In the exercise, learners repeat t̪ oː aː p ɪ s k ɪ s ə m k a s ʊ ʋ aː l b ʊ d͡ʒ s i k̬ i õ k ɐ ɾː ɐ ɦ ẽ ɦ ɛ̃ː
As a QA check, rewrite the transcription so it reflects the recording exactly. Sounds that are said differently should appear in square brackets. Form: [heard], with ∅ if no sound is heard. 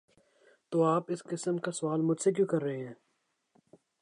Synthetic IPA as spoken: t̪ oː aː p ɪ s k ɪ s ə m k a s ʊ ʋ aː l [m] ʊ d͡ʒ s [e] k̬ [j] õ k ɐ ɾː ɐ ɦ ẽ ɦ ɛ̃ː